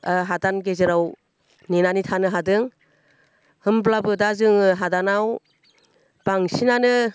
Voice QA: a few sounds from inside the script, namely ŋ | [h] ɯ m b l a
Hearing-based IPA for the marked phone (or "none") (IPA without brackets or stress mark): h